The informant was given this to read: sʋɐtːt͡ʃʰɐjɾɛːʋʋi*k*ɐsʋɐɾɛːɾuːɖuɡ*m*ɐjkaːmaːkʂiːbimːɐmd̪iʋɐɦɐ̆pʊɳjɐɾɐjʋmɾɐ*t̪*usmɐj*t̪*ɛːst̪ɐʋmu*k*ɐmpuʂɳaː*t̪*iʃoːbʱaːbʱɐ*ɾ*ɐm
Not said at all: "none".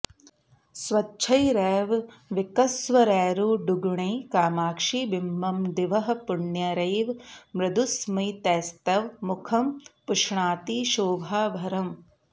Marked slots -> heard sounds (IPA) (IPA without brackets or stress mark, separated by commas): k, ɳ, d̪, t̪, kʰ, t̪, ɾ